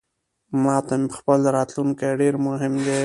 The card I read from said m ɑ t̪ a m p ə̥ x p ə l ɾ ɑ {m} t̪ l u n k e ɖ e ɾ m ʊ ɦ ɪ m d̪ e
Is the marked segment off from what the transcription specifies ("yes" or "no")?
yes